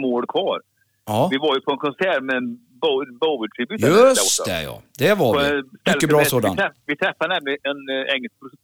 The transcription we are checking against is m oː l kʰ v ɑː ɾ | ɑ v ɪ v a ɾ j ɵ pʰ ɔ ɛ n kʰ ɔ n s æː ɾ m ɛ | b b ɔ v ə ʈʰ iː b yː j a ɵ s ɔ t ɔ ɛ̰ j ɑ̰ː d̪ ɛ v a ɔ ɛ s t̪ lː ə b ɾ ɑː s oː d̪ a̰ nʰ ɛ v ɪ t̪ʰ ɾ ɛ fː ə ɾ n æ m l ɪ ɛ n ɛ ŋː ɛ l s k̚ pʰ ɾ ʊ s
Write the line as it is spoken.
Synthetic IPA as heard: m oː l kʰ v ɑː ɾ | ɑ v ɪ v a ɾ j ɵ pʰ ɔ ɛ n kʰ ɔ n s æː ɾ m ɛ | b b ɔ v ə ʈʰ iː b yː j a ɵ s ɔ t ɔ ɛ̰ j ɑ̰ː d̪ ɛ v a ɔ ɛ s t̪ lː ə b ɾ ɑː s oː d̪ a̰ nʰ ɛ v ɪ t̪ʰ ɾ ɛ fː a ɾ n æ m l ɪ ɛ n ɛ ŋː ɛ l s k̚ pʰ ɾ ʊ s